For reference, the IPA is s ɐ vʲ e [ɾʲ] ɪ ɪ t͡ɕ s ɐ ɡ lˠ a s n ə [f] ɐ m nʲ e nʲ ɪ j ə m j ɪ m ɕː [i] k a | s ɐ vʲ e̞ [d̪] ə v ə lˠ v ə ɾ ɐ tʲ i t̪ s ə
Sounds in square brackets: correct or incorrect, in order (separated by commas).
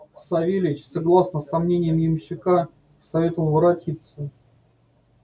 incorrect, incorrect, incorrect, incorrect